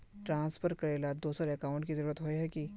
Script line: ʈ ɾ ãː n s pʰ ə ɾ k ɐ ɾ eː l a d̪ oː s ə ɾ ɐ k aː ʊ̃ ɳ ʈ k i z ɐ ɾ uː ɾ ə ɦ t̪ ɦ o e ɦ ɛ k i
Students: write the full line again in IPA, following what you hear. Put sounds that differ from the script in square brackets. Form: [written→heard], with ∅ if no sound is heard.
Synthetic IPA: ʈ ɾ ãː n s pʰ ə ɾ k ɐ ɾ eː l a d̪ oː s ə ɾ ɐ k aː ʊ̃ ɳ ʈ k i z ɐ ɾ uː ɾ ə [ɦ→∅] t̪ ɦ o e ɦ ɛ k i